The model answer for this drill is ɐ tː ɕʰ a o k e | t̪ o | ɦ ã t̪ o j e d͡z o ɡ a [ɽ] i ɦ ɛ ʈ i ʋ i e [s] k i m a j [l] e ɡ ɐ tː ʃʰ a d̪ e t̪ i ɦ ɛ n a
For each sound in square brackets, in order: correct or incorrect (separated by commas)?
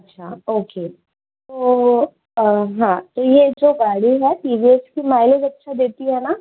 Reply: correct, correct, correct